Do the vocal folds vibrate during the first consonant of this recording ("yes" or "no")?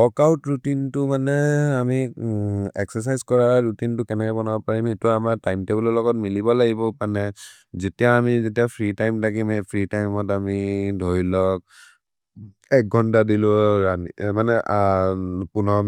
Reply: no